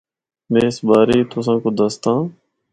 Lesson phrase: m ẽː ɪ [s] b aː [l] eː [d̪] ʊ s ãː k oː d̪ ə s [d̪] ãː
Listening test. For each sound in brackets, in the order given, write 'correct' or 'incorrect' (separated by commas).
correct, incorrect, incorrect, incorrect